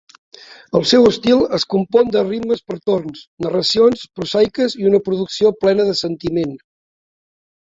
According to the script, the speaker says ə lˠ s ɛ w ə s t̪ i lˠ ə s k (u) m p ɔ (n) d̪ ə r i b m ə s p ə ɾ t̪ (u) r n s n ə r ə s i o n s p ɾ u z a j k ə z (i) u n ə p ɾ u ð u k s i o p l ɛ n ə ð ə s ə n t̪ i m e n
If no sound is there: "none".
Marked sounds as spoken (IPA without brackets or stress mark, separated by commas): u, n, o, i